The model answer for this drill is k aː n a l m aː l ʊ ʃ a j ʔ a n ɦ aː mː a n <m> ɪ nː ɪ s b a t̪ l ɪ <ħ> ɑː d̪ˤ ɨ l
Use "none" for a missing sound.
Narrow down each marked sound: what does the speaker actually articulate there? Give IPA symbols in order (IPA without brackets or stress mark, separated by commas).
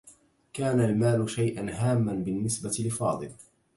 b, f